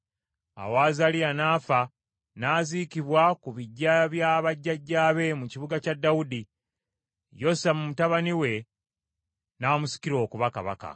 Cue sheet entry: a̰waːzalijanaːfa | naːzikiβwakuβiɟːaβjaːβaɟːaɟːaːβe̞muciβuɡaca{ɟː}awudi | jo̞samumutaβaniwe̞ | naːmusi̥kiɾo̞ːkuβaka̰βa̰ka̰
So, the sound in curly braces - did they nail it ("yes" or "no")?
no